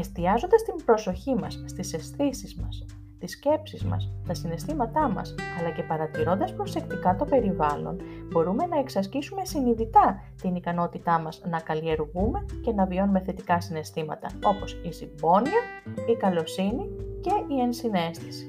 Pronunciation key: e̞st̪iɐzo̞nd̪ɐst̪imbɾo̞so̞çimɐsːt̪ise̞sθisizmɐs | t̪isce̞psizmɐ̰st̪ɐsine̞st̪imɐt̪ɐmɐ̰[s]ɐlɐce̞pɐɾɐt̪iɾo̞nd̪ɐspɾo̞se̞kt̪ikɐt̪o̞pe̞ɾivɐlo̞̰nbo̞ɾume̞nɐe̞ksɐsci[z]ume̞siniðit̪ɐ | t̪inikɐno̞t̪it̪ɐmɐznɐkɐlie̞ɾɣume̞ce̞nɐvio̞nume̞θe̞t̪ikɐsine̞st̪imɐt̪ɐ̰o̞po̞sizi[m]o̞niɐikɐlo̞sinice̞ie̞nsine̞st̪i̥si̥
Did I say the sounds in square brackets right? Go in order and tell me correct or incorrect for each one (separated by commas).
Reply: correct, incorrect, incorrect